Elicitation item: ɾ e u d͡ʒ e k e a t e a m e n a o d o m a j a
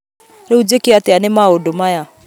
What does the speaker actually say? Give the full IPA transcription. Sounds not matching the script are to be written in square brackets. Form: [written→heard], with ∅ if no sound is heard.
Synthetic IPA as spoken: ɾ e u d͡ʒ e k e a t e a [m→n] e [n→m] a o d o m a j a